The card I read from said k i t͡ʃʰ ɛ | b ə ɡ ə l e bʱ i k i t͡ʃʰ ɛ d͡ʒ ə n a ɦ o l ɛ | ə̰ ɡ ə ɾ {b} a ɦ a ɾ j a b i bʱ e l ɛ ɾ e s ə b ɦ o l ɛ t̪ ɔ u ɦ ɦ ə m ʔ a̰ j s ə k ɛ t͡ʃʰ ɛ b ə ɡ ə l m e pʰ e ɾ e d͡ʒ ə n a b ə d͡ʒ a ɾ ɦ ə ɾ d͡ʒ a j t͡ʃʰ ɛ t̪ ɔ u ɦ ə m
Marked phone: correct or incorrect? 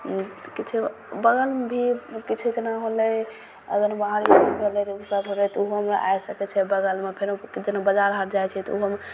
correct